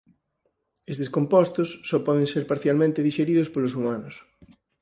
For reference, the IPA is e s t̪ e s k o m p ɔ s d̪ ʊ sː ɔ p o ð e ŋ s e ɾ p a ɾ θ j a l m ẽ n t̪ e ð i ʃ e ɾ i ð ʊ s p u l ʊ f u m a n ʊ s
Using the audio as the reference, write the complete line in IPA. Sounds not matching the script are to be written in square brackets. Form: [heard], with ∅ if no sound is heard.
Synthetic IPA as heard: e s t̪ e s k o m p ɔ s [t̪] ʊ sː ɔ p [ɔ] ð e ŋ s e ɾ p a ɾ θ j a l m ẽ n t̪ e ð i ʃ e ɾ i ð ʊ s p [o] l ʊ [s] u m a n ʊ s